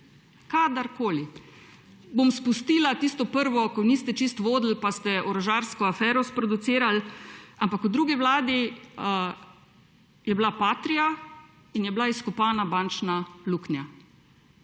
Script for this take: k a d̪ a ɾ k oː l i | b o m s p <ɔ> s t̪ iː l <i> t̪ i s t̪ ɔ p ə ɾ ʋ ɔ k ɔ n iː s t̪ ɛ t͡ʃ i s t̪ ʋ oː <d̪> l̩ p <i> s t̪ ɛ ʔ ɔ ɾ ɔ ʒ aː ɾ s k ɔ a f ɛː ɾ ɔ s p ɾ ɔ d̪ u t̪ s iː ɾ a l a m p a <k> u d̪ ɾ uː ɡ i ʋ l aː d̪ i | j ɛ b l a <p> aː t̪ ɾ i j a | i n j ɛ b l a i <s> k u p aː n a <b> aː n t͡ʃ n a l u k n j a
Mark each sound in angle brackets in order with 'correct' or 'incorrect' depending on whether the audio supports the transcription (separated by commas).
incorrect, incorrect, correct, incorrect, correct, correct, correct, correct